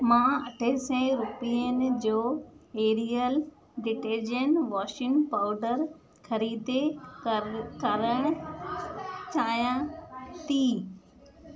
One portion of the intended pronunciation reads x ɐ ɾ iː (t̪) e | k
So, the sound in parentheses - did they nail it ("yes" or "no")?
no